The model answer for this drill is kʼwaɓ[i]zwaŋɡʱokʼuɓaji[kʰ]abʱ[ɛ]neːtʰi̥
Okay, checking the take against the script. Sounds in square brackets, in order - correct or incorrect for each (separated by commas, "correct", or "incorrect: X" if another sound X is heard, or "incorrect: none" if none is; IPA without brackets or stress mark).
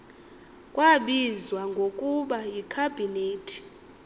correct, correct, incorrect: i